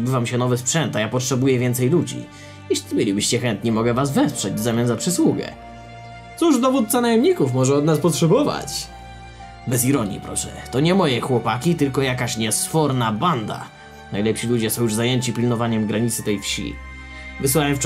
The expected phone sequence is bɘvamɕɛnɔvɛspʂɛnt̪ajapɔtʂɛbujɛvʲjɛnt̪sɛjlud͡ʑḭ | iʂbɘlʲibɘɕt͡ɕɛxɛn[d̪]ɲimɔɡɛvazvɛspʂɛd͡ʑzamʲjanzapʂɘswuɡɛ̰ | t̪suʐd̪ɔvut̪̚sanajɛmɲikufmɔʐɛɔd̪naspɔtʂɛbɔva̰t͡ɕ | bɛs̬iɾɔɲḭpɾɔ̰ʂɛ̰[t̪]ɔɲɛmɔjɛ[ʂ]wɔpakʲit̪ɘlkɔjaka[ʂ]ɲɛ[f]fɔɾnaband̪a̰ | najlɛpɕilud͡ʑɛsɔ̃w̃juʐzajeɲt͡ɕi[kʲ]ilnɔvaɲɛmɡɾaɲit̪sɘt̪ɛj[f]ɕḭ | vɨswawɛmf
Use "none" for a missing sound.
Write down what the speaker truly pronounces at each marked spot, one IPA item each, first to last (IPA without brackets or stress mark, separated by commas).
t̪, t̪, x, ɕ, s, pʲ, f